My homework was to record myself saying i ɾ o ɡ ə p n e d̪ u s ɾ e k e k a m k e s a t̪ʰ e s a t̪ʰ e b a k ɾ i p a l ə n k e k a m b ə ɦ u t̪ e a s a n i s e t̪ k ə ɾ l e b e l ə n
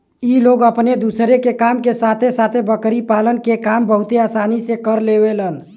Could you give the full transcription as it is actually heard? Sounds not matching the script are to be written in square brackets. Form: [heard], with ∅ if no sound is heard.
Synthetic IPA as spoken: i [l] o ɡ ə p n e d̪ u s ɾ e k e k a m k e s a t̪ʰ e s a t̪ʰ e b [ə] k ɾ i p a l ə n k e k a m b ə ɦ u t̪ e a s a n i s e [∅] k ə ɾ l e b e l ə n

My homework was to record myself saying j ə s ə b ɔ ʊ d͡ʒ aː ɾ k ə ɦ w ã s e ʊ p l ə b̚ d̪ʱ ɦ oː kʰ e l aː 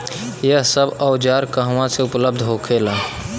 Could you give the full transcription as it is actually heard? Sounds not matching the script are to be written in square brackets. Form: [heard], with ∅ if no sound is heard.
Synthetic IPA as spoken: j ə s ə b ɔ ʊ d͡ʒ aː ɾ k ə ɦ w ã s e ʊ p l ə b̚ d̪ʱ ɦ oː kʰ e l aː

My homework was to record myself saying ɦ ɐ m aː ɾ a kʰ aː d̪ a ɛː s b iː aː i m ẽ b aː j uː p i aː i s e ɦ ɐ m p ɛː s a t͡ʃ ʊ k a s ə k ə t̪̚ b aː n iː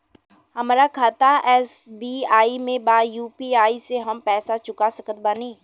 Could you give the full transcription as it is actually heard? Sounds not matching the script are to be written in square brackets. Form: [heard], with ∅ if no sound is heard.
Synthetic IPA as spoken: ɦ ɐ m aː ɾ a kʰ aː [t̪] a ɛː s b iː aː i m ẽ b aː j uː p i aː i s e ɦ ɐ m p ɛː s a t͡ʃ ʊ k a s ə k ə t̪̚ b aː n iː

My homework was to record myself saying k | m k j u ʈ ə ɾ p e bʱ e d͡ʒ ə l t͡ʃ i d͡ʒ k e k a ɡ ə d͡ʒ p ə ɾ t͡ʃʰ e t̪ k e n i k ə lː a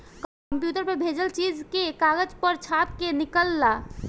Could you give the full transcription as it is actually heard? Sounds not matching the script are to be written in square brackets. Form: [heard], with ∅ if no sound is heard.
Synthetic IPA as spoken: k | m [p] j u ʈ ə ɾ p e bʱ e d͡ʒ ə l t͡ʃ i d͡ʒ k e k a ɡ ə d͡ʒ p ə ɾ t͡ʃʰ [a] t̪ k e n i k ə lː a

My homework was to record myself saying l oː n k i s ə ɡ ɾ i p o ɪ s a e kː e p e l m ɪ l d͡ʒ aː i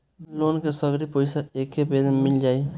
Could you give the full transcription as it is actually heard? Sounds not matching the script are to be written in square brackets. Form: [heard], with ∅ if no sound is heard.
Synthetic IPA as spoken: l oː n k [e] s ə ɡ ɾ i p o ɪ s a e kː e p e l m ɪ l d͡ʒ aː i

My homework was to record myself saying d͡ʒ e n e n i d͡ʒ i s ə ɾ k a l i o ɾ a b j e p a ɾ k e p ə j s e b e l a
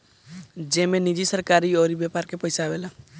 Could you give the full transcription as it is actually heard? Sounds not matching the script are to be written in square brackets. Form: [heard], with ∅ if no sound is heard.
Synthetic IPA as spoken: d͡ʒ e [m] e n i d͡ʒ i s ə ɾ k a [ɾ] i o ɾ [i] b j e p a ɾ k e p ə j s [a] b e l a

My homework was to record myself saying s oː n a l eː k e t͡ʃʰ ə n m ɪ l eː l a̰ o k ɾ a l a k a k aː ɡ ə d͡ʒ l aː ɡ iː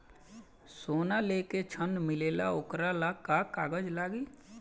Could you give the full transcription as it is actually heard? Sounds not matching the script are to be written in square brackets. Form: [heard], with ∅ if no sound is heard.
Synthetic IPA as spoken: s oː n a l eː k e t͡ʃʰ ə n m ɪ l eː l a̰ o k ɾ a l a k a k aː ɡ ə d͡ʒ l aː ɡ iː

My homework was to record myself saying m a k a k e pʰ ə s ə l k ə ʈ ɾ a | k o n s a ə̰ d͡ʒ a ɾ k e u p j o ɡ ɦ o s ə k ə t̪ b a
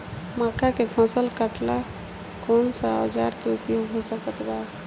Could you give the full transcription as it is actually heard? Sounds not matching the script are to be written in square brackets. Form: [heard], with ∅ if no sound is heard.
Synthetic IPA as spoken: m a k a k e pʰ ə s ə l k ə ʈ [l] a | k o n s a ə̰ d͡ʒ a ɾ k e u p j o ɡ ɦ o s ə k ə t̪ b a

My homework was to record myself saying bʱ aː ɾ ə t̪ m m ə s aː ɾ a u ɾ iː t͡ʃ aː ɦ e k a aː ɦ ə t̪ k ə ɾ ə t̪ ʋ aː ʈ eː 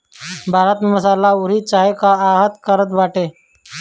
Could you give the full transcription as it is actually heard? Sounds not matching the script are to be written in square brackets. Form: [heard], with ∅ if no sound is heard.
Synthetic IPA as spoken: bʱ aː ɾ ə t̪ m m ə s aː [l] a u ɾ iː t͡ʃ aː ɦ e k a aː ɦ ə t̪ k ə ɾ ə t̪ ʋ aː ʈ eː

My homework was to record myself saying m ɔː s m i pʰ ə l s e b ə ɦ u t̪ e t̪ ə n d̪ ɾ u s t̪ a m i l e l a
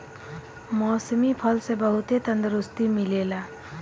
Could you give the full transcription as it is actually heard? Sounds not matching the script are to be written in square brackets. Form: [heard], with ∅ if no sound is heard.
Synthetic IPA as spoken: m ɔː s m i pʰ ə l s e b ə ɦ u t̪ e t̪ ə n d̪ ɾ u s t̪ [i] m i l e l a

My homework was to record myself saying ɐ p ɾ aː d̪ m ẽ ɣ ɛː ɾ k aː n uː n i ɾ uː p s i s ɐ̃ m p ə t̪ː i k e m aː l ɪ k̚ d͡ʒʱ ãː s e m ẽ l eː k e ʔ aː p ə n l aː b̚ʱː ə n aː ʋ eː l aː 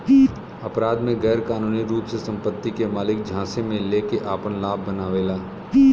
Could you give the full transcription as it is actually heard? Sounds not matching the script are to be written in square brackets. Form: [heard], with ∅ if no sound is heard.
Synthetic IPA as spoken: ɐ p ɾ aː d̪ m ẽ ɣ ɛː ɾ k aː n uː n i ɾ uː p s [e] s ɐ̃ m p ə t̪ː i k e m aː l ɪ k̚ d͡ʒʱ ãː s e m ẽ l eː k e ʔ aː p ə n l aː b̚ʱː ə n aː ʋ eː l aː

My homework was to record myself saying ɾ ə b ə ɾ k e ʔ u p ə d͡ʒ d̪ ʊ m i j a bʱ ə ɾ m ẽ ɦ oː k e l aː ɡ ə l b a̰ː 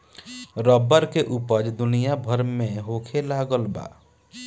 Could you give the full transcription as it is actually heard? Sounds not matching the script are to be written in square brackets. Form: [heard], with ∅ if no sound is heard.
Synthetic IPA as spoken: ɾ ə b ə ɾ k e ʔ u p ə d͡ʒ d̪ ʊ [n] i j a bʱ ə ɾ m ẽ ɦ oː [kʰ] e l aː ɡ ə l b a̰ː

